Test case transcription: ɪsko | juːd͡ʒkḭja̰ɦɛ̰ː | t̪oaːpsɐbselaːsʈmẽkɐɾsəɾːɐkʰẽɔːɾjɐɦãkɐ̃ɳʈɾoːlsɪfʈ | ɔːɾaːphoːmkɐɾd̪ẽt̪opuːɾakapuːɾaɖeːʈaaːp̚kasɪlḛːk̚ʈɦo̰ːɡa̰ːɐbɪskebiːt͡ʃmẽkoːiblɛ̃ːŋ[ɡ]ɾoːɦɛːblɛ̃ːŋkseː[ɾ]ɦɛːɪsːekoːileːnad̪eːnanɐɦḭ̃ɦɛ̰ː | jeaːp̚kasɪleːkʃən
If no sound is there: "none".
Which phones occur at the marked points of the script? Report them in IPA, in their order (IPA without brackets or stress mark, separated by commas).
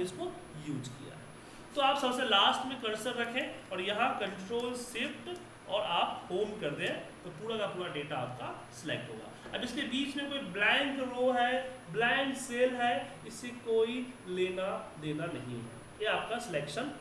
k, l